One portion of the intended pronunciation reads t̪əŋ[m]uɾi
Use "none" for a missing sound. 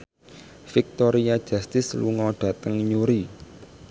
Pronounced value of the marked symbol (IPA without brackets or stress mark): ɲ